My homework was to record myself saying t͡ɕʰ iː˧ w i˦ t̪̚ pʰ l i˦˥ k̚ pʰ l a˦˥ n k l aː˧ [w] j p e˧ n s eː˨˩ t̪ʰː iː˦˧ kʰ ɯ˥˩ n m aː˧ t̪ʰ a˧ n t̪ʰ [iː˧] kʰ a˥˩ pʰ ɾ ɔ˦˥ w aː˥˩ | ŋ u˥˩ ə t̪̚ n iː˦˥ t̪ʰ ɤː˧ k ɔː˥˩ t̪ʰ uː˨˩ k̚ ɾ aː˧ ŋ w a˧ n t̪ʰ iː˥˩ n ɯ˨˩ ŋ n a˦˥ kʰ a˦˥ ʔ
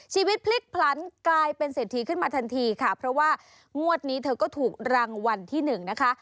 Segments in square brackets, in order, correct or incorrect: incorrect: none, correct

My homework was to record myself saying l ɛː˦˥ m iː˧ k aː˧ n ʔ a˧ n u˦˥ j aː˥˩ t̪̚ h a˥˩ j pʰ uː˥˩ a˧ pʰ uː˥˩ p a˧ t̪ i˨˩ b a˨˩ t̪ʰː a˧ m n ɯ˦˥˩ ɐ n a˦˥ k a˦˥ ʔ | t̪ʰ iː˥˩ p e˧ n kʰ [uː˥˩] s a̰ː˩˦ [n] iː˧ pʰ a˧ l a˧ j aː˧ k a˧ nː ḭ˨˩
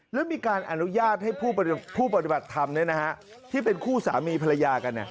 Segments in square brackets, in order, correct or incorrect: correct, incorrect: m

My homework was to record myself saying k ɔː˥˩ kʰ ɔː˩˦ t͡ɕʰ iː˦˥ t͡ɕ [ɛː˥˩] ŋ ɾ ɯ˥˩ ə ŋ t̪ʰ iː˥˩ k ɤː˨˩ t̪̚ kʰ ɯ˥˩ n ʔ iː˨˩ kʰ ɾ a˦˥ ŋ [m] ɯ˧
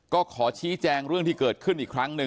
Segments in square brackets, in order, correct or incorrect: incorrect: ɛː˧, incorrect: n

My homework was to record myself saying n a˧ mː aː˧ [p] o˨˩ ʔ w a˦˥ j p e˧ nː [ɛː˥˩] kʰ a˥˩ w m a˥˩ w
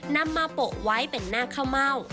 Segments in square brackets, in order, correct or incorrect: correct, incorrect: aː˥˩

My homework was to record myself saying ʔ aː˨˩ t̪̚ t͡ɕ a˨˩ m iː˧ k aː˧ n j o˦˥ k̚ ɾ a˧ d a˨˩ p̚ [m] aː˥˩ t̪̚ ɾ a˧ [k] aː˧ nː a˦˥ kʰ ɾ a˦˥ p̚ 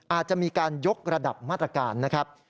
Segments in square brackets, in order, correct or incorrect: correct, correct

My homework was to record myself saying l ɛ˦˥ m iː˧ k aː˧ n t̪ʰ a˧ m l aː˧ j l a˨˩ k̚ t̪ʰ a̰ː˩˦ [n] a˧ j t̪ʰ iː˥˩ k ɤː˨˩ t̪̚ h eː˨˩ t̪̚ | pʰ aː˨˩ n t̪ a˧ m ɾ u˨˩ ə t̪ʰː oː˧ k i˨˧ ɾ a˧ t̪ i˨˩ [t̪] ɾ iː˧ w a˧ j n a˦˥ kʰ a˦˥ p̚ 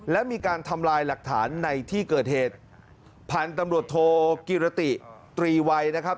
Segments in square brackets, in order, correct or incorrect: incorrect: nː, correct

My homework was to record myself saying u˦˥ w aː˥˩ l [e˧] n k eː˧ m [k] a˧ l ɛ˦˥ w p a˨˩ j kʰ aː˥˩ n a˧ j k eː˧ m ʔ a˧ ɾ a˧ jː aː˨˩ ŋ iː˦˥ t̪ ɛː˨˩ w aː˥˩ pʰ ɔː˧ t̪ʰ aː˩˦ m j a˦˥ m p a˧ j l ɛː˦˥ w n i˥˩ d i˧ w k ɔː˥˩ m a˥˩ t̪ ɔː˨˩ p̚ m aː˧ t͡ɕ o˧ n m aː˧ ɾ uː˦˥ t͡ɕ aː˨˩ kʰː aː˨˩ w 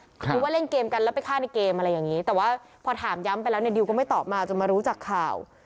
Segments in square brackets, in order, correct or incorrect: incorrect: e˥˩, correct

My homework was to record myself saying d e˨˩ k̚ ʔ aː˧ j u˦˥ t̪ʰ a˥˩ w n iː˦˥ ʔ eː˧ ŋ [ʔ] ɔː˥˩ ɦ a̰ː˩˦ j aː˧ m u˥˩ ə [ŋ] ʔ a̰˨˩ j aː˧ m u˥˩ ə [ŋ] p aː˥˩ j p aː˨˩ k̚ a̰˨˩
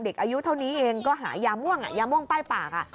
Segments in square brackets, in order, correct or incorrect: incorrect: k, correct, correct

